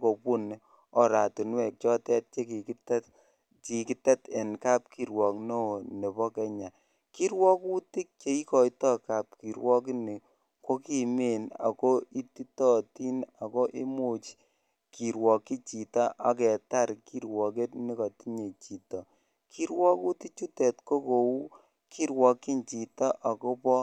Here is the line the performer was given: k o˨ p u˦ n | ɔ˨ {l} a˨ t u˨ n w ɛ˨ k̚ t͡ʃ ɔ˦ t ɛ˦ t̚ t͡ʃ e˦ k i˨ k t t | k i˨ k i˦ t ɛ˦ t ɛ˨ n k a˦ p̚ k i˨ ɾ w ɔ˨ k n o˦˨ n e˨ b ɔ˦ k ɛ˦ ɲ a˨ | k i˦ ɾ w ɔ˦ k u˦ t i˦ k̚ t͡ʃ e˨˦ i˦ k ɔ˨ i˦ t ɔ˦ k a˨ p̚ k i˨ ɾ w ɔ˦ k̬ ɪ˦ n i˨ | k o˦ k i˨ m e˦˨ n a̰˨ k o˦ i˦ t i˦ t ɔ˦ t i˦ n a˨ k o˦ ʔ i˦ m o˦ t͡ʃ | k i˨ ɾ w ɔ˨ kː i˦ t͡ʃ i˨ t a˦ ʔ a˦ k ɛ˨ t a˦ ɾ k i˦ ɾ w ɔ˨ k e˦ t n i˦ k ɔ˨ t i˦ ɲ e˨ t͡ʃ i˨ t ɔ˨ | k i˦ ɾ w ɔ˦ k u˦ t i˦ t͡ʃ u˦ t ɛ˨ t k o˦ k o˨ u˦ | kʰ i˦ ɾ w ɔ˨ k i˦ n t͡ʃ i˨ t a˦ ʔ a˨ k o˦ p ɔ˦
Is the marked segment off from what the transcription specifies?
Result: yes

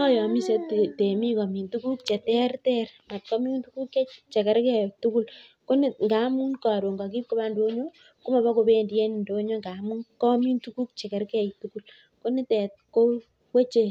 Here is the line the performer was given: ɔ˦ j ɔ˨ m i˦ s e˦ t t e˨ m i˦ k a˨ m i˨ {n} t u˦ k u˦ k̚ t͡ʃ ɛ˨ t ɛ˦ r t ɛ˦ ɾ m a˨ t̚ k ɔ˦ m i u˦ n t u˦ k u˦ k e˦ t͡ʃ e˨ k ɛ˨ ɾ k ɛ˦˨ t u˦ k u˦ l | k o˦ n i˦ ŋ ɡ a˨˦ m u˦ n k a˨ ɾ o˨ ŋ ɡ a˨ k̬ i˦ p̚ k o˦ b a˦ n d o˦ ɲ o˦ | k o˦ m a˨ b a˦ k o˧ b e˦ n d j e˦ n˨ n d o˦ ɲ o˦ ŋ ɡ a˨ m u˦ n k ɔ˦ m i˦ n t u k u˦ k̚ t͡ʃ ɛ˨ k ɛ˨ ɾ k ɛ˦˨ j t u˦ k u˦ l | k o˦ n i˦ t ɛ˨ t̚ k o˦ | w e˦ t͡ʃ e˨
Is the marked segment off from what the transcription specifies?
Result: no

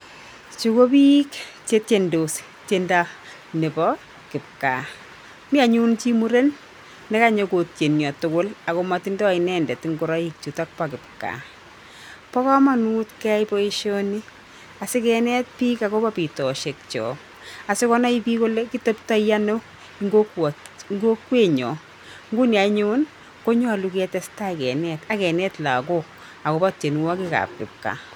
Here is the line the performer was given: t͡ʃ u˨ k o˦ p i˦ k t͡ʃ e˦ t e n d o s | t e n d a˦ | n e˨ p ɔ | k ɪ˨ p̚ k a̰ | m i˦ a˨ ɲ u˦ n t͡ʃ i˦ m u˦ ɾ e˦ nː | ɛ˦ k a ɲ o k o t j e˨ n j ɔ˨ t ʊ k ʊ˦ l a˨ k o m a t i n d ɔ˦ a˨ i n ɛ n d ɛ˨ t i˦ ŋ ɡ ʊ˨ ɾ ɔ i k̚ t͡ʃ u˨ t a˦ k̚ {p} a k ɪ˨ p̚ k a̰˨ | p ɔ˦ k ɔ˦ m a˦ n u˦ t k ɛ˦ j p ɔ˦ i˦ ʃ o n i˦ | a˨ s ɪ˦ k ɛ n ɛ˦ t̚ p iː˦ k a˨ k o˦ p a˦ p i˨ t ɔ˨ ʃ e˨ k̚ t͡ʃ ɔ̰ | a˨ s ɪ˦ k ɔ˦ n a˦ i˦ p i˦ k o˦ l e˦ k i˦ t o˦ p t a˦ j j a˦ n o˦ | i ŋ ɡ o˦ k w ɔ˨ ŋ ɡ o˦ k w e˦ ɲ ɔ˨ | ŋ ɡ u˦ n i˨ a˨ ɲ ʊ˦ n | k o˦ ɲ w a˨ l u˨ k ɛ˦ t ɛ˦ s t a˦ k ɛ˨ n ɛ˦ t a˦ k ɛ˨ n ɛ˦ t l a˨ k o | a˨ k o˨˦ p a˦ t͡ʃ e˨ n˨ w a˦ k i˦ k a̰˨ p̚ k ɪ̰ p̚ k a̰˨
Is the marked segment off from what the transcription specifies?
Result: no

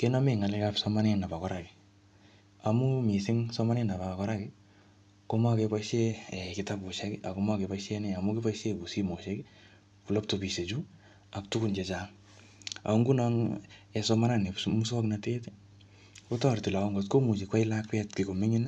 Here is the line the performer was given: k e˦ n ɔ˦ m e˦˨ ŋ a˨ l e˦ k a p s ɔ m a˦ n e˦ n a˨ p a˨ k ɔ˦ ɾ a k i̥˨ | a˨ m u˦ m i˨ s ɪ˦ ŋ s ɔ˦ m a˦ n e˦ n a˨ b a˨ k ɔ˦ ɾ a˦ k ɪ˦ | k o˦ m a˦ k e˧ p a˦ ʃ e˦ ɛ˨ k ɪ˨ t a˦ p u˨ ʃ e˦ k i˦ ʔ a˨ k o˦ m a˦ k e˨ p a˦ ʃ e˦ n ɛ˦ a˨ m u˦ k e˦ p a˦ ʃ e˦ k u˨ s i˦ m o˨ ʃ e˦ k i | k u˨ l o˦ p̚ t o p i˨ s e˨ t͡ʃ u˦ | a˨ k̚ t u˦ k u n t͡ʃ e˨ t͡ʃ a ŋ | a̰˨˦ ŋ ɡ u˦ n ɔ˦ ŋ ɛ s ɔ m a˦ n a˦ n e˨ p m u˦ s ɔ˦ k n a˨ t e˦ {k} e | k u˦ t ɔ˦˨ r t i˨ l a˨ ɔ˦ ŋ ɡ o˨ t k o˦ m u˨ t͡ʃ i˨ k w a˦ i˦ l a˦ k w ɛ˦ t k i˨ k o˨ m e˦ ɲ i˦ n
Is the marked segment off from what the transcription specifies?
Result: yes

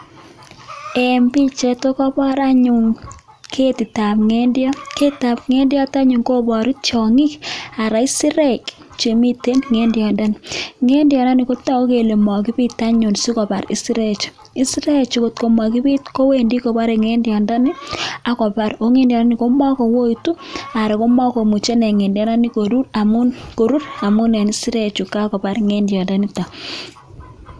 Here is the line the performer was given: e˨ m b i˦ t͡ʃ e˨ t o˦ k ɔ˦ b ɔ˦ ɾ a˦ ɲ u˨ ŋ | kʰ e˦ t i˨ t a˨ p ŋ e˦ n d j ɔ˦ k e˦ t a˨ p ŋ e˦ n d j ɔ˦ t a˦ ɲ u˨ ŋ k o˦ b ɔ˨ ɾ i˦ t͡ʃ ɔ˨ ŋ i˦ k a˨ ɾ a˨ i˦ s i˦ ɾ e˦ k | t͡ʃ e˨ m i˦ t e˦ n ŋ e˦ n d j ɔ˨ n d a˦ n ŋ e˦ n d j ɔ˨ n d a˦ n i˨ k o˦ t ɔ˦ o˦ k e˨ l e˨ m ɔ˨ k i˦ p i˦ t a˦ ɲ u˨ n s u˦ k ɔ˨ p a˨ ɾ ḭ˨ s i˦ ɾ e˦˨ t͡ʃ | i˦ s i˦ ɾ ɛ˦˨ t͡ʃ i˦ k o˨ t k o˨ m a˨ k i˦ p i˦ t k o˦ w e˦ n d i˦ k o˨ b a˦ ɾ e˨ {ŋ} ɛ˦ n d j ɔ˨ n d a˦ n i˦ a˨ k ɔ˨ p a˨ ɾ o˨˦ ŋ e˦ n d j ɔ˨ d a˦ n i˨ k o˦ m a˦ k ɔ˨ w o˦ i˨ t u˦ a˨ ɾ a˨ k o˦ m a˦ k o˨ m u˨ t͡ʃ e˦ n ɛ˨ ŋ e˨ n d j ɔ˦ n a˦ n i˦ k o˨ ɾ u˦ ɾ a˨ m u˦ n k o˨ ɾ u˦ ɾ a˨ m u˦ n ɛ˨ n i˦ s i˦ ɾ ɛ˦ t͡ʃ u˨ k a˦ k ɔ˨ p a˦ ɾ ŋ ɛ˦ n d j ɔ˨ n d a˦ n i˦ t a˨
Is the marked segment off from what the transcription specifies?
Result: no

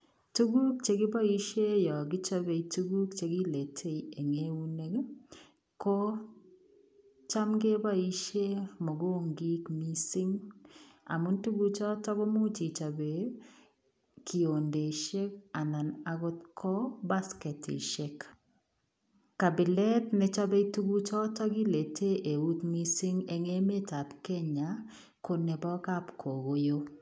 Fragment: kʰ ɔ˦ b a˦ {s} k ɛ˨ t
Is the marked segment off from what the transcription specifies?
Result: no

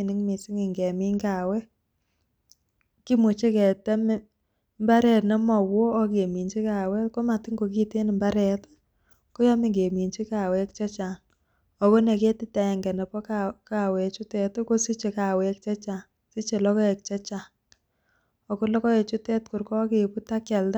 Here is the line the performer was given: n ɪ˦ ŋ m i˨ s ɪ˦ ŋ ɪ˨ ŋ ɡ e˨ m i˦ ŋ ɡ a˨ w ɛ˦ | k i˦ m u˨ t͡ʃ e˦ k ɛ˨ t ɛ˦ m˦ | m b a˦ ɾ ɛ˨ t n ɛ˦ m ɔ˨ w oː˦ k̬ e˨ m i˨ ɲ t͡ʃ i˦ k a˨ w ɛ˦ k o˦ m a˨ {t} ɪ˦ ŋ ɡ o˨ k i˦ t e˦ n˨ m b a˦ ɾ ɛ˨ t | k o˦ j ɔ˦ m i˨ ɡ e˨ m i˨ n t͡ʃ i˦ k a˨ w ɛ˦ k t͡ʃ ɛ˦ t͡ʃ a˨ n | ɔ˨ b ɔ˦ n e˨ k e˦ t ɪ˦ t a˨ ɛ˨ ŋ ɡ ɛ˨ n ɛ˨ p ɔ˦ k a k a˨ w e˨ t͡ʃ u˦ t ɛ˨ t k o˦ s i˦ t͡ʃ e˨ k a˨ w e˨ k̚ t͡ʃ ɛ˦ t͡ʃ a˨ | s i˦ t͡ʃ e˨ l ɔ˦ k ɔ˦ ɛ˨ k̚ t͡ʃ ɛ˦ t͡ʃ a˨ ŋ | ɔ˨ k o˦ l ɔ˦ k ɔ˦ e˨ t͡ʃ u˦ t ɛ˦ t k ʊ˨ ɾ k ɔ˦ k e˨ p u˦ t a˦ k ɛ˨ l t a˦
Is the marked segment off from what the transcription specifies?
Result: no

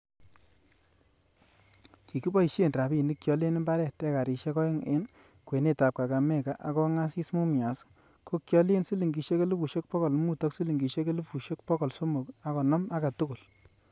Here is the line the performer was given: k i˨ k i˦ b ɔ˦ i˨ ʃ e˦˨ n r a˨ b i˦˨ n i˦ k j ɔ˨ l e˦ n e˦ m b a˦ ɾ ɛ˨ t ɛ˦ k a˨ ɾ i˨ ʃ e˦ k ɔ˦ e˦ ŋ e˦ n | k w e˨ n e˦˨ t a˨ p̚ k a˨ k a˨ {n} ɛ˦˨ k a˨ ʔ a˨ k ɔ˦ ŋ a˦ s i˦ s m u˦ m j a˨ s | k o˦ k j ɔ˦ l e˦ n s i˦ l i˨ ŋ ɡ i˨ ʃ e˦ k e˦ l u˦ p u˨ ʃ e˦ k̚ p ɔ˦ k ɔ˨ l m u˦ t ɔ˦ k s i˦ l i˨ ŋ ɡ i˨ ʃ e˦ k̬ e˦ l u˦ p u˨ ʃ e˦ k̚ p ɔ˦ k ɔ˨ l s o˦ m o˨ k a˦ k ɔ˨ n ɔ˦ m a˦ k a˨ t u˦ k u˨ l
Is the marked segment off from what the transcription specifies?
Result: yes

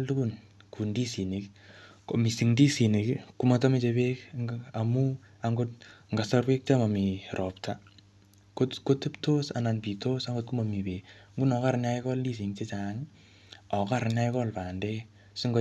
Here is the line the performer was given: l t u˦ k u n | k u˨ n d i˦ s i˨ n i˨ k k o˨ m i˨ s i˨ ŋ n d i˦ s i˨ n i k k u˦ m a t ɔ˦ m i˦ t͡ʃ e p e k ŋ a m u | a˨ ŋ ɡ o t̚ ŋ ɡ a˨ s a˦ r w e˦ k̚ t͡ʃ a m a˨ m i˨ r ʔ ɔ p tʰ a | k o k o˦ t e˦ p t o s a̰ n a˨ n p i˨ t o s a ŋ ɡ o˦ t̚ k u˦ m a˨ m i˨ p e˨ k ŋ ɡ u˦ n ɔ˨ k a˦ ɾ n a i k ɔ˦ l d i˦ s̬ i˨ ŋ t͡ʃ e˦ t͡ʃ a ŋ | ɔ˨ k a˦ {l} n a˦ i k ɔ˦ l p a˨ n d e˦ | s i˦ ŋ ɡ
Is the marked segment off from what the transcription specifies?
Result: yes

